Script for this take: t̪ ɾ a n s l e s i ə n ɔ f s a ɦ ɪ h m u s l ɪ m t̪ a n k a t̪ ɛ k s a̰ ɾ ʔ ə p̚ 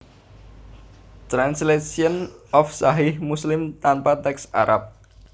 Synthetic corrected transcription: t̪ ɾ a n s l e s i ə n ɔ f s a ɦ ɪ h m u s l ɪ m t̪ a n p a t̪ ɛ k s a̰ ɾ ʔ a p̚